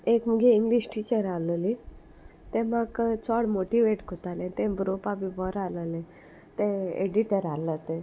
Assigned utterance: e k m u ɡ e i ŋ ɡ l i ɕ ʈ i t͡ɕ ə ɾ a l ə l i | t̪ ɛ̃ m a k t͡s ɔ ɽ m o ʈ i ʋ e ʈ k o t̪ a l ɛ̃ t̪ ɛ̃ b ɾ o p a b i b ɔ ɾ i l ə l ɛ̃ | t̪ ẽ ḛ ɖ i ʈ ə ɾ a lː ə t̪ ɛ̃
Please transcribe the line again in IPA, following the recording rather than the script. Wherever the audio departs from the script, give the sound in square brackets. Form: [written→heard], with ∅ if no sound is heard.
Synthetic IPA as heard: e k m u ɡ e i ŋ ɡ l i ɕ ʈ i t͡ɕ ə ɾ a l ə l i | t̪ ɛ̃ m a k t͡s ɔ ɽ m o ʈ i ʋ e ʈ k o t̪ a l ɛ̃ t̪ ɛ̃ b ɾ o p a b i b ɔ ɾ [i→a] l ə l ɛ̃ | t̪ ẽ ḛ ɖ i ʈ ə ɾ a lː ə t̪ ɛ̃